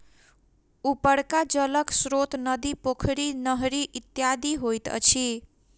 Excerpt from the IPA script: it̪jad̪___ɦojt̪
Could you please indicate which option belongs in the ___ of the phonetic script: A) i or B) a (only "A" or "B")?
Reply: A